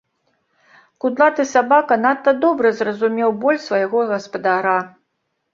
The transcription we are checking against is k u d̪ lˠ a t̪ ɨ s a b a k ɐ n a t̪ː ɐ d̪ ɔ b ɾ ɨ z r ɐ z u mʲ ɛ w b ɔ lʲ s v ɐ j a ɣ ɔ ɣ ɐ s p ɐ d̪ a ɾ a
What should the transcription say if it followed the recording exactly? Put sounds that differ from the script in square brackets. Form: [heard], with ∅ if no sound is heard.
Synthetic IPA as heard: k u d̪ lˠ a t̪ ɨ s a b a k ɐ n a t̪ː ɐ d̪ ɔ b ɾ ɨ z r ɐ z u mʲ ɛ w b ɔ lʲ s v ɐ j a ɣ ɔ ɣ ɐ s p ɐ d̪ a ɾ a